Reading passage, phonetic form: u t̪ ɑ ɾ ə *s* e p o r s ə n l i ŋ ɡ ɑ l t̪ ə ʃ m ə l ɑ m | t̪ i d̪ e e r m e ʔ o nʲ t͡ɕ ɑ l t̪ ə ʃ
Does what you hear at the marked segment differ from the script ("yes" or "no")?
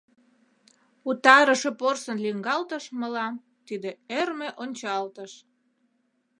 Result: yes